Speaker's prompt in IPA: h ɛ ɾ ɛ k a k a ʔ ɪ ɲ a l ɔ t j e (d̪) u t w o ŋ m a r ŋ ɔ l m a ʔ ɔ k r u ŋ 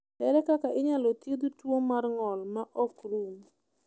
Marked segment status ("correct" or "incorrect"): correct